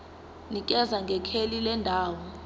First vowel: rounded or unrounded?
unrounded